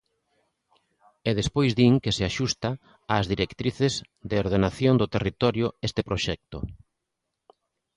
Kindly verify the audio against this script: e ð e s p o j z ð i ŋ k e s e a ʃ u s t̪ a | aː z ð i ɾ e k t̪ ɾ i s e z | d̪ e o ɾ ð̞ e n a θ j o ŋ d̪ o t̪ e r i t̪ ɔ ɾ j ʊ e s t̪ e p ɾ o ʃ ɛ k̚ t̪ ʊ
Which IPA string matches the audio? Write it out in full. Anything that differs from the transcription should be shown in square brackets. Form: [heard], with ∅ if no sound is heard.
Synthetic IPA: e ð e s p o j z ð i ŋ k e s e a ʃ u s t̪ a | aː z ð i ɾ e k t̪ ɾ i [θ] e z | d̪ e o ɾ ð̞ e n a θ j o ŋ d̪ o t̪ e r i t̪ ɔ ɾ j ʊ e s t̪ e p ɾ o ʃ ɛ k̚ t̪ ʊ